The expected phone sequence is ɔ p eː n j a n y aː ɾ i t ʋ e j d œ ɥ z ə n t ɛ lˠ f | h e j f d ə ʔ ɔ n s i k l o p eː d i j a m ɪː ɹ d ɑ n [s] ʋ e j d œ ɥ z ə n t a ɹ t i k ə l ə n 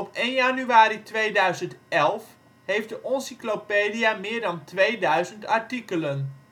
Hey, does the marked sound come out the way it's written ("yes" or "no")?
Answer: no